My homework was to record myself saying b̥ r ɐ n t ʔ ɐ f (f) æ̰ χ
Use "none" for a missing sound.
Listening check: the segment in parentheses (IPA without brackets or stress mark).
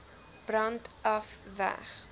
v